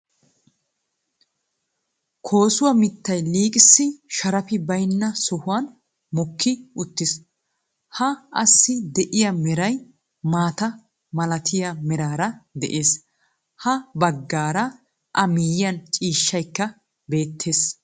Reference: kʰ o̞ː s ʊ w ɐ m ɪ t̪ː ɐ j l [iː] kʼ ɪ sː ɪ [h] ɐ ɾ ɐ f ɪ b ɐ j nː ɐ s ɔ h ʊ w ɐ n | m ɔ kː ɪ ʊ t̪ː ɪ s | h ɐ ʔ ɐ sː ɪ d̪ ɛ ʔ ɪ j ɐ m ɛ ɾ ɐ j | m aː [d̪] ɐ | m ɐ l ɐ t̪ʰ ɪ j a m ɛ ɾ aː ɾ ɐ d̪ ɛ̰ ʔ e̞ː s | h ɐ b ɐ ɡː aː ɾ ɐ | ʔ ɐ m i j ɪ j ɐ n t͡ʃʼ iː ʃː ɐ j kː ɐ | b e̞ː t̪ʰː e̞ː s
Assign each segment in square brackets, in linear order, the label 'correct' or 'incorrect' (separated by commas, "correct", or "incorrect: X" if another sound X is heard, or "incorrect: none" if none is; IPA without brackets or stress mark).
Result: correct, incorrect: ʃ, incorrect: t̪